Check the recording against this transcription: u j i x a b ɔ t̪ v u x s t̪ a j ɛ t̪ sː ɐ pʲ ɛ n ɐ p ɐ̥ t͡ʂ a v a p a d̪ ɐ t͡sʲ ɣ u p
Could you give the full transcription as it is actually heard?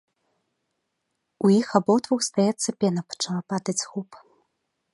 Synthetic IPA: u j i x a b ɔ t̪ v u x s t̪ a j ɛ t̪ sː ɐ pʲ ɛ n ɐ p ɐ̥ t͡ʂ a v a p a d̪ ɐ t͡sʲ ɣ u p